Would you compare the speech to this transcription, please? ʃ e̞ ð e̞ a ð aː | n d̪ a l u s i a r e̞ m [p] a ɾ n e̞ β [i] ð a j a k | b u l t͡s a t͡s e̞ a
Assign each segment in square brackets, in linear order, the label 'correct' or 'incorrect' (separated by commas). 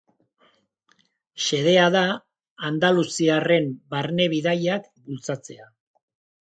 incorrect, correct